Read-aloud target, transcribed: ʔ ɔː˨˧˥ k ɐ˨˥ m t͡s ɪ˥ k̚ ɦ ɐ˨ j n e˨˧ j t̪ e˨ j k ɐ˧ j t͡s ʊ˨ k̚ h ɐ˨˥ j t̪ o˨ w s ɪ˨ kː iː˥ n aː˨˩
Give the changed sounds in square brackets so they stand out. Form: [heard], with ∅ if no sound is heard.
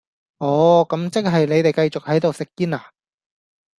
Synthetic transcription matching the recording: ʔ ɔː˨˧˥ k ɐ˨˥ m t͡s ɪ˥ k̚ ɦ ɐ˨ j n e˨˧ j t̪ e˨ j k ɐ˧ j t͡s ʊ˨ k̚ h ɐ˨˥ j t̪ o˨ w s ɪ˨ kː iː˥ n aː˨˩